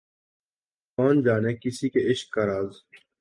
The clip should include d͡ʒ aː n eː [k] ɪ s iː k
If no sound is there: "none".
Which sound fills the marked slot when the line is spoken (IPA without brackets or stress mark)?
k